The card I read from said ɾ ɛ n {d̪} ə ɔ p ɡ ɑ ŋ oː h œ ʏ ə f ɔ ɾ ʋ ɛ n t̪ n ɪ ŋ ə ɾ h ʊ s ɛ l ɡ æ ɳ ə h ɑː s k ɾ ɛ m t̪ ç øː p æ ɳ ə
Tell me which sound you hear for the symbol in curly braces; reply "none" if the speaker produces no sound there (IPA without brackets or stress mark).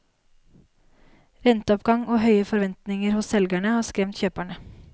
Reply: t̪